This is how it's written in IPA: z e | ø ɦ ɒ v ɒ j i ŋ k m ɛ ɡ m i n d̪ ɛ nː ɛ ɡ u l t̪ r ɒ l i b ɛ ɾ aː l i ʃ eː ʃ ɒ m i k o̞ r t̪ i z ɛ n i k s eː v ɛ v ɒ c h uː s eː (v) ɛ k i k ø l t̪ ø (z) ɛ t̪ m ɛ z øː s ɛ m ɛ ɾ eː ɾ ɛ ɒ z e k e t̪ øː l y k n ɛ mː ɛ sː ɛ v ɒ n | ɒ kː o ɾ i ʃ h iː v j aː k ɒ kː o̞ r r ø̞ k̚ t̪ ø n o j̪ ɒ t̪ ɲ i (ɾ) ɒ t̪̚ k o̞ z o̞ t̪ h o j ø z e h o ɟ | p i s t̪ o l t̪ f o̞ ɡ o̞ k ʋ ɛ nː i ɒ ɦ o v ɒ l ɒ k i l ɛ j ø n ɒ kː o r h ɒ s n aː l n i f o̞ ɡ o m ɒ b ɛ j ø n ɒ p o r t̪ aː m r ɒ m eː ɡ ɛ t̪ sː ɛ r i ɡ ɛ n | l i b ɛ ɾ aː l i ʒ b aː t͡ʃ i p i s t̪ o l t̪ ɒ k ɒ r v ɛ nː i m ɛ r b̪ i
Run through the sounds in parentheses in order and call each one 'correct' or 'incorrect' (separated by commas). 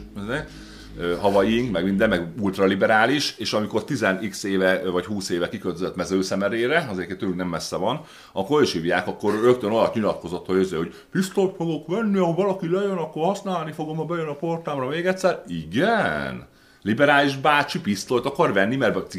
correct, correct, incorrect